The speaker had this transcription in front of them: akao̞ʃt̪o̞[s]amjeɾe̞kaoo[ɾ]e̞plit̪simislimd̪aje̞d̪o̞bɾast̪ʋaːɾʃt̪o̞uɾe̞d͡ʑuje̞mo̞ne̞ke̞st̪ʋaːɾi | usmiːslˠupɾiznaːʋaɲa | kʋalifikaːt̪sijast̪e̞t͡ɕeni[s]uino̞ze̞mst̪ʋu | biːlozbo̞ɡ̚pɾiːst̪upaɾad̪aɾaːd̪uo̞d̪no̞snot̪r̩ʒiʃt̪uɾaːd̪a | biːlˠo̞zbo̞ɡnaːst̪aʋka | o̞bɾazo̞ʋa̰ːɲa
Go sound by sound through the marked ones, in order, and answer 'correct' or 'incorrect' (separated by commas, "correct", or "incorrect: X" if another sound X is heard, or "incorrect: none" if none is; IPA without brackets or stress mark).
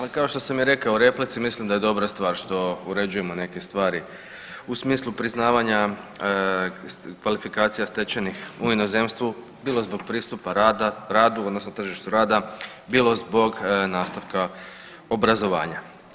correct, correct, incorrect: x